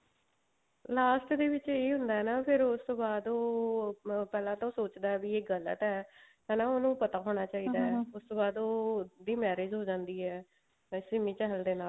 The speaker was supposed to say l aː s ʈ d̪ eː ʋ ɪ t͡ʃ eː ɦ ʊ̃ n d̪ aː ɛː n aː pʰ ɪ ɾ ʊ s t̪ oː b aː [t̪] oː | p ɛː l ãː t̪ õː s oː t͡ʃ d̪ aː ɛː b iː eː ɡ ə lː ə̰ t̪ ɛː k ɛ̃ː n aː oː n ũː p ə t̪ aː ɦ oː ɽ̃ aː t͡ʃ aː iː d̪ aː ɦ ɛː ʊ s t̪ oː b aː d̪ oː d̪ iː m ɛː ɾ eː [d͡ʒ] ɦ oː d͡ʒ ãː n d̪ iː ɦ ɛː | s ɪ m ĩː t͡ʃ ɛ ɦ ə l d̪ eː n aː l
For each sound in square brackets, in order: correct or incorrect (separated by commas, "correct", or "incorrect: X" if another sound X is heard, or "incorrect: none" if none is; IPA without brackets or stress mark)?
incorrect: d̪, correct